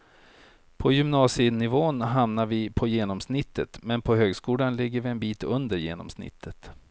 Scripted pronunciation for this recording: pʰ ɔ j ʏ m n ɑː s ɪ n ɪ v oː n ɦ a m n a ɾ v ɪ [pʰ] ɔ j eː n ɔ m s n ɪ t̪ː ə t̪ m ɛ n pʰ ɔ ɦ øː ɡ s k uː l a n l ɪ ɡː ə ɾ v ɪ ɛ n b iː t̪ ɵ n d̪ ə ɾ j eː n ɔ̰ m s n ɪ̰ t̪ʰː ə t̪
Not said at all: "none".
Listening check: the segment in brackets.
pʰ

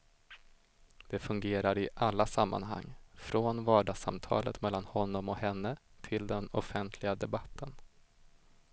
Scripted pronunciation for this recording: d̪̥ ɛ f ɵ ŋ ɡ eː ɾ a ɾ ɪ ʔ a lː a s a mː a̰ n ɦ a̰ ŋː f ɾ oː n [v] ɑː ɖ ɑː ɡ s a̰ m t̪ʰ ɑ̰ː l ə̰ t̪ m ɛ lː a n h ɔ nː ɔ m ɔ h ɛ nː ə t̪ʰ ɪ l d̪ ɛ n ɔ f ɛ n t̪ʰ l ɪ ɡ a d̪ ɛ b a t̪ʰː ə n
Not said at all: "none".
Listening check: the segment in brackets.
v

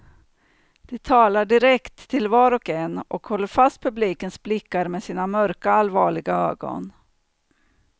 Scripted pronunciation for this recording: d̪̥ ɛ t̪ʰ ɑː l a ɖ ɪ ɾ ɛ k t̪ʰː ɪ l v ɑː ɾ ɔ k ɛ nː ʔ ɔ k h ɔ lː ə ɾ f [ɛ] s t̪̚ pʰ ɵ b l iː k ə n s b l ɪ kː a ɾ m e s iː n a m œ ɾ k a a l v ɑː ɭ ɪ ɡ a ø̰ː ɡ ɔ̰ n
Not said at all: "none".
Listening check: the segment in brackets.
a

